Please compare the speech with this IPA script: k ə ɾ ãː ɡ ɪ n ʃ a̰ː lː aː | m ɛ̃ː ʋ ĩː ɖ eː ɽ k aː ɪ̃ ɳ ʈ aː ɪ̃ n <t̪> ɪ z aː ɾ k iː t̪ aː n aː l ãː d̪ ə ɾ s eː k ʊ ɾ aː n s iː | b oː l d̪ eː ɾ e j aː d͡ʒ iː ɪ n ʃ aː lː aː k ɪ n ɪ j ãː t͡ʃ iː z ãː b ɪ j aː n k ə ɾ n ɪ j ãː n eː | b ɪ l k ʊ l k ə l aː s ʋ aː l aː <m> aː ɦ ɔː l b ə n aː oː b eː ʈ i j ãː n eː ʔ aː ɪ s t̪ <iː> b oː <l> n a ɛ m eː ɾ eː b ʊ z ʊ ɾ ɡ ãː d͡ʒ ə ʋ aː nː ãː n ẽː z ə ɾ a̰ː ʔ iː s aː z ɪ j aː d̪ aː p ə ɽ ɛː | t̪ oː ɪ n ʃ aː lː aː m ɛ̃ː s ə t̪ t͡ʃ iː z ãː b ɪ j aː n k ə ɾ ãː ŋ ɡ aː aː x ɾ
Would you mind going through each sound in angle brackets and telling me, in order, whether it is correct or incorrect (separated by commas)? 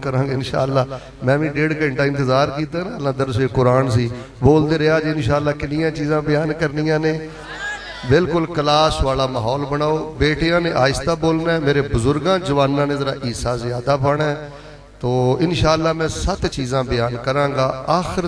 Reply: correct, correct, incorrect, correct